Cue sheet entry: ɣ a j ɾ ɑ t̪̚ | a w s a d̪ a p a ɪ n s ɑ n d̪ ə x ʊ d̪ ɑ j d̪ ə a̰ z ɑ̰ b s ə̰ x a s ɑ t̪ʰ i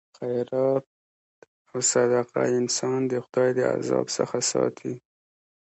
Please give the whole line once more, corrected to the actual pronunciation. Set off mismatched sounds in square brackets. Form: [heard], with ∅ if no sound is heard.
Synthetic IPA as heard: [x] a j ɾ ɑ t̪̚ | a w s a d̪ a [q] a ɪ n s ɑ n d̪ ə x ʊ d̪ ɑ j d̪ ə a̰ z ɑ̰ b s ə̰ x a s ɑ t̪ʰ i